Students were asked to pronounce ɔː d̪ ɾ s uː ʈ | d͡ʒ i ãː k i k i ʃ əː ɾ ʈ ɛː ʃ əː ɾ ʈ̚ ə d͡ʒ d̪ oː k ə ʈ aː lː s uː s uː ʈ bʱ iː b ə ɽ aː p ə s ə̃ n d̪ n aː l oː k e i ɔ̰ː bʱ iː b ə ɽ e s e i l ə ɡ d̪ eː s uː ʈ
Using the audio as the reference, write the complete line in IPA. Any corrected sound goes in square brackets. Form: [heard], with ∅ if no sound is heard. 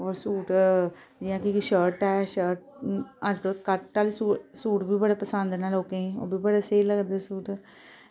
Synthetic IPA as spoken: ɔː [∅] ɾ s uː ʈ | d͡ʒ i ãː k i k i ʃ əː ɾ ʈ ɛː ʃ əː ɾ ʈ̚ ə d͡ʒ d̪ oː k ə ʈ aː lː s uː s uː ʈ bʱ iː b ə ɽ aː p ə s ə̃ n d̪ n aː l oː k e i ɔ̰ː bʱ iː b ə ɽ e s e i l ə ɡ d̪ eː s uː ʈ